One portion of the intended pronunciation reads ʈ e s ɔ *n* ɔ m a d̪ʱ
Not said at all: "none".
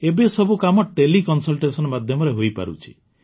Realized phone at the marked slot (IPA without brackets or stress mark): n